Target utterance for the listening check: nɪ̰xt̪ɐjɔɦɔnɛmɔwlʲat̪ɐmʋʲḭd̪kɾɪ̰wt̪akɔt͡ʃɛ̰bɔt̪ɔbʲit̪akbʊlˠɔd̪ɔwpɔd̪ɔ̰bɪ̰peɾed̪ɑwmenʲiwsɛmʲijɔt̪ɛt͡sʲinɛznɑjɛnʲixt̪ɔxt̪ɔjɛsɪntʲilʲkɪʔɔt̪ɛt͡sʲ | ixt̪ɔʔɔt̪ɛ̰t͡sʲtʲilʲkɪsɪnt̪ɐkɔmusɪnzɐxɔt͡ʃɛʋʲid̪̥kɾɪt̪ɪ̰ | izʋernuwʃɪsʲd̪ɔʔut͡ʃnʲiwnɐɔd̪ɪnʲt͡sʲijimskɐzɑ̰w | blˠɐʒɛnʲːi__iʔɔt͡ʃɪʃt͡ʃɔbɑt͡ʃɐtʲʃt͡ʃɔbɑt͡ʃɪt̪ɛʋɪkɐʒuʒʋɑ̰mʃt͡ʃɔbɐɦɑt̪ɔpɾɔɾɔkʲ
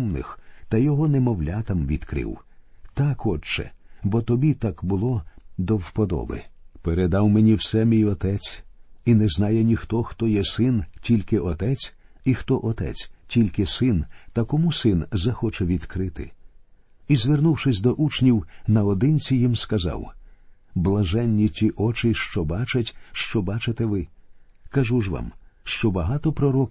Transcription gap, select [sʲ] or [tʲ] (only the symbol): tʲ